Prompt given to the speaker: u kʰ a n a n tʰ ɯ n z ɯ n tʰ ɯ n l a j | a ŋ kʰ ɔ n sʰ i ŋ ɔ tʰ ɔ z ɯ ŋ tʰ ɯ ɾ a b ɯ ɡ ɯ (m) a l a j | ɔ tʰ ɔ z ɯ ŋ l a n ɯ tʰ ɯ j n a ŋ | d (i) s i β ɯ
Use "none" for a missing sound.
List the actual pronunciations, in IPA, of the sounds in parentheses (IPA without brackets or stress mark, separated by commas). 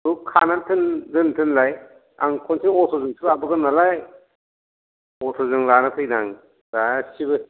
n, a